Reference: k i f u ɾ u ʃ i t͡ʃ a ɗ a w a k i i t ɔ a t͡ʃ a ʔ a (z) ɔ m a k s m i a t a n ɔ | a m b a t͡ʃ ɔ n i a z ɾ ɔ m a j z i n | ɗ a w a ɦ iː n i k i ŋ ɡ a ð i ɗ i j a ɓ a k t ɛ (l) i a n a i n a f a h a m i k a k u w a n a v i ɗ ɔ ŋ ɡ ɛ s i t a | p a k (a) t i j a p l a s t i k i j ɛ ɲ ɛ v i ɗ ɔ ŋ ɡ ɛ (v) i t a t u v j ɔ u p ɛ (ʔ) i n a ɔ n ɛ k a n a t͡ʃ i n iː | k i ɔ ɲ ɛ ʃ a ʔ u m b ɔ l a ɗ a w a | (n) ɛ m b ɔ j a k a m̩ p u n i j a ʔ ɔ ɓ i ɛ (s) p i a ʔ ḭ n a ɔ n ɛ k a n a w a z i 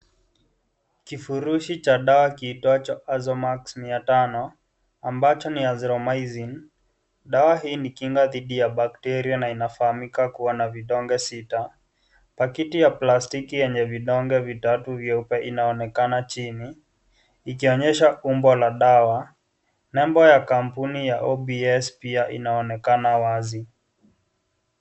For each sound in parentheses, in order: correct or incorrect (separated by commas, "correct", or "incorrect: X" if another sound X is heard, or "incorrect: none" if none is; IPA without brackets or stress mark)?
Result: correct, incorrect: ɾ, incorrect: i, correct, correct, correct, correct